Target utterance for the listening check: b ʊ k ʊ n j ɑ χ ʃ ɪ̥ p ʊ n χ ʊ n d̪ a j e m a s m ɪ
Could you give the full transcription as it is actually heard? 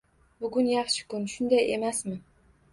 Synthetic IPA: b ʊ ɡ ʊ n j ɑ χ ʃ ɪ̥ k ʊ n ʃ ʊ n d̪ a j e m a s m ɪ